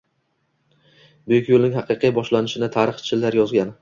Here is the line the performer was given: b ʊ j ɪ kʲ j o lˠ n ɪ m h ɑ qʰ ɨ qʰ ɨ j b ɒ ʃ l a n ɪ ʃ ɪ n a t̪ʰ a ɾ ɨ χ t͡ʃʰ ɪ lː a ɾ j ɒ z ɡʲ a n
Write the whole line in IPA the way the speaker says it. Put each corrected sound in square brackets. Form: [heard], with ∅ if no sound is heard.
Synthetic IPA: b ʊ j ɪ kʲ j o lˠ n ɪ [ŋ] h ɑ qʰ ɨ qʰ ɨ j b ɒ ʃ l a n ɪ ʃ ɪ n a t̪ʰ a ɾ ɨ χ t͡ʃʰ ɪ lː a ɾ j ɒ z ɡʲ a n